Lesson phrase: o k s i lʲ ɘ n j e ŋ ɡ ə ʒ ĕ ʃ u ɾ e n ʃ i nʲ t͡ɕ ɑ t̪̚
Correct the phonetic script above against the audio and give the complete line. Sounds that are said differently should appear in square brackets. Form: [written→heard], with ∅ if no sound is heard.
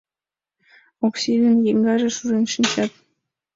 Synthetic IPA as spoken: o k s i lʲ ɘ n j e ŋ ɡ [ə→ɑ] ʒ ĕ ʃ u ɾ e n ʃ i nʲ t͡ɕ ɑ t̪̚